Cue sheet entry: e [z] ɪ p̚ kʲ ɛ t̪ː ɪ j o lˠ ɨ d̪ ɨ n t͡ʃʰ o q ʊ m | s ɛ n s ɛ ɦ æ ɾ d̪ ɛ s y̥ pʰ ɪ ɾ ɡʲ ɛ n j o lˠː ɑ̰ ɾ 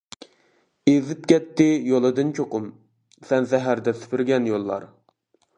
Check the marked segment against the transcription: correct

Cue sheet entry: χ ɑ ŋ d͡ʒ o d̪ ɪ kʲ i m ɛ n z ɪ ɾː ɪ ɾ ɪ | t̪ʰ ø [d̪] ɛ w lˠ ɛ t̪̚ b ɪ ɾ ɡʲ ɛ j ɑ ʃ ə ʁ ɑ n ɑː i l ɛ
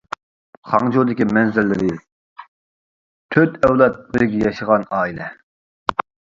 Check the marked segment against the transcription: incorrect: t̪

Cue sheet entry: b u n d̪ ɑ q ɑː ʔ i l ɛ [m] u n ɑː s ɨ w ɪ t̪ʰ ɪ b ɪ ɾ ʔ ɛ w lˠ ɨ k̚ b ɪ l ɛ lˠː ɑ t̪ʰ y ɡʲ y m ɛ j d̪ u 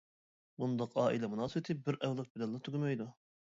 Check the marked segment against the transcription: correct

